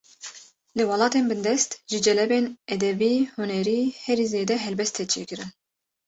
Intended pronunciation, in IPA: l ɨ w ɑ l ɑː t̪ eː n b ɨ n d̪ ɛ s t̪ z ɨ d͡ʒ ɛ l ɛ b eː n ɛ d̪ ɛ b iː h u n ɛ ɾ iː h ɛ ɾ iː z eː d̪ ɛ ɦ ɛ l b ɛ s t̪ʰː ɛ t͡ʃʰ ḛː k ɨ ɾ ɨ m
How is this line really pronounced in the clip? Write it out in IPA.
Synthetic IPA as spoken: l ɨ w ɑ l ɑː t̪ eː n b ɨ n d̪ ɛ s t̪ ʒ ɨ d͡ʒ ɛ l ɛ b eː n ɛ d̪ ɛ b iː h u n ɛ ɾ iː h ɛ ɾ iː z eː d̪ ɛ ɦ ɛ l b ɛ s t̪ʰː ɛ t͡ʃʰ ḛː k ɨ ɾ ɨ n